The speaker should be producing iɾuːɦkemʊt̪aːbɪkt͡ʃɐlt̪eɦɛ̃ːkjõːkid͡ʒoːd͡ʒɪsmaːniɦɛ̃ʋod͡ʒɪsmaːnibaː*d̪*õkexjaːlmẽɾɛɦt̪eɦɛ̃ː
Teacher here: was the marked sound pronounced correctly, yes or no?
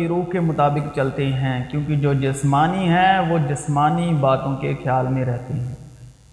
no